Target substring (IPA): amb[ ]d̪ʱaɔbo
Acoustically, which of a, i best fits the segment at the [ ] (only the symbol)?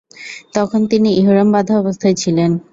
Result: a